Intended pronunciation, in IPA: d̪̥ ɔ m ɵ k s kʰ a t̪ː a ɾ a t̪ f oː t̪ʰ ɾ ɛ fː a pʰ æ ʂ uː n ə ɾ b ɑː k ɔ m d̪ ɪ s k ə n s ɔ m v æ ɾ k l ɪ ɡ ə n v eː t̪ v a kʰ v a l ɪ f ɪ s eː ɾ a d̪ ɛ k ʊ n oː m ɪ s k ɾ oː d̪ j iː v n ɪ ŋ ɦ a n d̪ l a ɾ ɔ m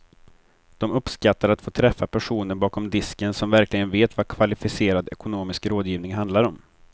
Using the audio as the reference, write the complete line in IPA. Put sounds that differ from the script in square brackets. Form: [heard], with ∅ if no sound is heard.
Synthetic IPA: d̪̥ ɔ m ɵ [p] s [k] a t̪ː a ɾ a t̪ f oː t̪ʰ ɾ ɛ fː a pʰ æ ʂ uː n ə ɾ b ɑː k ɔ m d̪ ɪ s k ə n s ɔ m v æ ɾ k l ɪ ɡ ə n v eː t̪ v a kʰ v a l ɪ f ɪ s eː ɾ a d̪ ɛ k ʊ n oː m ɪ s k ɾ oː d̪ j iː v n ɪ ŋ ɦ a n d̪ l a ɾ ɔ m